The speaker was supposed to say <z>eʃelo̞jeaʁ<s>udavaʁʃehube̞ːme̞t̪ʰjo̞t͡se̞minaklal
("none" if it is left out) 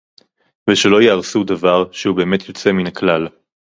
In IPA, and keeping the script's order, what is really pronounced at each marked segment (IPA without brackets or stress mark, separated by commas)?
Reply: v, s